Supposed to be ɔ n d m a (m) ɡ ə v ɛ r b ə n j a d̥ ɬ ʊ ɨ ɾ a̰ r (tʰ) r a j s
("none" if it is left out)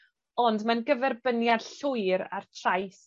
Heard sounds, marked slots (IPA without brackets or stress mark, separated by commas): n, tʰ